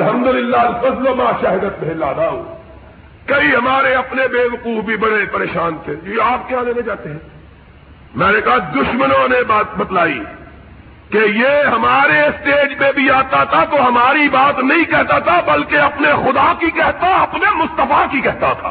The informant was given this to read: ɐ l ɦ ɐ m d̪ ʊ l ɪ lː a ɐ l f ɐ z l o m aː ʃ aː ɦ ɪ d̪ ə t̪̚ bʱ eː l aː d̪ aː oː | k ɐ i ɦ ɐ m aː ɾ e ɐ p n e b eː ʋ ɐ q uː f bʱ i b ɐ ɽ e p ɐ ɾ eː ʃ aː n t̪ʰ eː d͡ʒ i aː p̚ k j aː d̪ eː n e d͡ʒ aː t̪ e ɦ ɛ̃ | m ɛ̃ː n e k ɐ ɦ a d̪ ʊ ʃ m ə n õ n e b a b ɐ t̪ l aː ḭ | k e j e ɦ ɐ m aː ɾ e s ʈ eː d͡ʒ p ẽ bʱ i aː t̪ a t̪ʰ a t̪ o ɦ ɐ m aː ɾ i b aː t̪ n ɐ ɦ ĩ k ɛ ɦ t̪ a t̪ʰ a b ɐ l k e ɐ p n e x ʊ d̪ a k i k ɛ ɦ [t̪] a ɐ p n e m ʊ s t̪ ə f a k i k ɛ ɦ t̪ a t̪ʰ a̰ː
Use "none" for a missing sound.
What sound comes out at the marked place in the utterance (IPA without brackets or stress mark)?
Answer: t̪